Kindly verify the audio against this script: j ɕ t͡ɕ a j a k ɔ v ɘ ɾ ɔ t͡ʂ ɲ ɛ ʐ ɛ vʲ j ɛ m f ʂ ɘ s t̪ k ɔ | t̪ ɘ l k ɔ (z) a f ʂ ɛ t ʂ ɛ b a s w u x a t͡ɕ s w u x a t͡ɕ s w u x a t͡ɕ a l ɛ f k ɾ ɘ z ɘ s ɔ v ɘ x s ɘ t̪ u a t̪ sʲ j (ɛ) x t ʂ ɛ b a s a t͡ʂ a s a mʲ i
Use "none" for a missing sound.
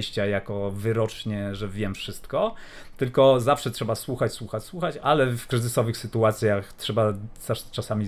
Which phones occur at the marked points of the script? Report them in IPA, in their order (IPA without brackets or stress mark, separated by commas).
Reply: z, a